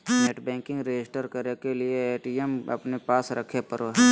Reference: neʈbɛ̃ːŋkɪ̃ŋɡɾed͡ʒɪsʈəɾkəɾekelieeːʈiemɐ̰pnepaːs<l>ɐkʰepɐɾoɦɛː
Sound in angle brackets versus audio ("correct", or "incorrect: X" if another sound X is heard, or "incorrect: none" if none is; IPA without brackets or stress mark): incorrect: ɾ